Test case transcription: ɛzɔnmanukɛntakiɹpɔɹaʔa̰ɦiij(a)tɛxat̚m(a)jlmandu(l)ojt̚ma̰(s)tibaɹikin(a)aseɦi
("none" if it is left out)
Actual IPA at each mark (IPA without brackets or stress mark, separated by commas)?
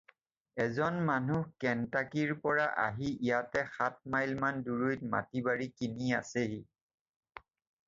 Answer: a, a, ɹ, none, i